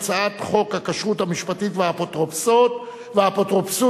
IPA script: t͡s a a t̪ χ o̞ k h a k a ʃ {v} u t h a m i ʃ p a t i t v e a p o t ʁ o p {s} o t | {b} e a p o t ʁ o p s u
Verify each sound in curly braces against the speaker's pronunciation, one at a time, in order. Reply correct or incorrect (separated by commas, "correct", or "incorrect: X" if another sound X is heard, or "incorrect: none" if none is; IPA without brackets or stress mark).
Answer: incorrect: ʁ, correct, incorrect: v